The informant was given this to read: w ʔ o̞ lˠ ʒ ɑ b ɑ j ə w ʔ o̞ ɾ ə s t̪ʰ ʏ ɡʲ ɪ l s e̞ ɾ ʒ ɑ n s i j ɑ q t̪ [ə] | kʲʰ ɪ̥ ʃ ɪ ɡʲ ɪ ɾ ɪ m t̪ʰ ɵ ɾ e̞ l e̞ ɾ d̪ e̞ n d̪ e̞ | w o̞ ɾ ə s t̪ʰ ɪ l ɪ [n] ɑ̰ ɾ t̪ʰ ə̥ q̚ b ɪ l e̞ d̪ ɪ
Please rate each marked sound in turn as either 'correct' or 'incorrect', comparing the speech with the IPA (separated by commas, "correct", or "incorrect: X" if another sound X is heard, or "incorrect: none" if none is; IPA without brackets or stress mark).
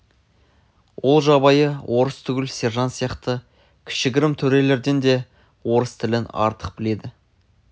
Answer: correct, correct